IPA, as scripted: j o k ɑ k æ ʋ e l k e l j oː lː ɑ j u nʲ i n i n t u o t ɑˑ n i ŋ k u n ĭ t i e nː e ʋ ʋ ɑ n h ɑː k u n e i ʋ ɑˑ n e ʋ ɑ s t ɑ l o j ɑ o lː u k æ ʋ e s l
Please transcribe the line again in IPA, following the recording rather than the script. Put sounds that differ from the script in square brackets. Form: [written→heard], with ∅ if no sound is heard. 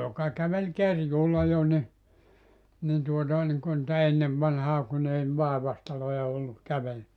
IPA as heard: j o k ɑ k æ ʋ e l k e [l→r] j [oː→uː] lː ɑ j [u→o] nʲ i n i n t u o t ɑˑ n i ŋ k u n ĭ t [i→æ] e nː e ʋ ʋ ɑ n h ɑː k u n e i ʋ ɑˑ [n→∅] e ʋ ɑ s t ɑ l o j ɑ o lː u k æ ʋ e [s→∅] l